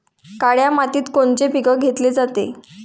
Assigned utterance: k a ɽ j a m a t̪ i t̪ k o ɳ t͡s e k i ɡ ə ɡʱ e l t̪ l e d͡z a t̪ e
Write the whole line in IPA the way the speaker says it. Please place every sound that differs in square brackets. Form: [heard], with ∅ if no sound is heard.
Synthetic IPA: k a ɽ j a m a t̪ [iː] t̪ k o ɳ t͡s e [p] i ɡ ə ɡʱ e [∅] t̪ l e d͡z a t̪ e